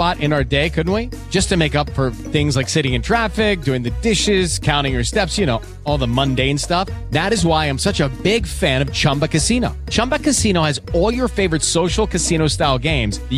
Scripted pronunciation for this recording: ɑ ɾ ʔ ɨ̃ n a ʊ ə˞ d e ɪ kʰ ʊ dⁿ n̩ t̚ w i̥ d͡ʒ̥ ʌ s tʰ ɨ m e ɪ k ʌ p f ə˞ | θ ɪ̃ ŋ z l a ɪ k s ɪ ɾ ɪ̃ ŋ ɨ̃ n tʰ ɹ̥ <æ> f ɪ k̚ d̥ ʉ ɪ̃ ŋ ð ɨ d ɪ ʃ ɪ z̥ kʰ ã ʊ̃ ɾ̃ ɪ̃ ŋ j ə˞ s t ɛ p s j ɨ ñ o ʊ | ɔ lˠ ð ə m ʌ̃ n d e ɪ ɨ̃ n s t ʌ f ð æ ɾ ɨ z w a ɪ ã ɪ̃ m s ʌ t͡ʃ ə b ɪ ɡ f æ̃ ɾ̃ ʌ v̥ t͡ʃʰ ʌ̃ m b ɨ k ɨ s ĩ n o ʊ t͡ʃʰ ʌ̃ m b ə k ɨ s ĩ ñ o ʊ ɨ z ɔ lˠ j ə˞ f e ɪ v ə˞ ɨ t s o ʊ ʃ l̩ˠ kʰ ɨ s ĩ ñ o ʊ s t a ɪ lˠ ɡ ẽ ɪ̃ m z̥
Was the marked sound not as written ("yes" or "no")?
no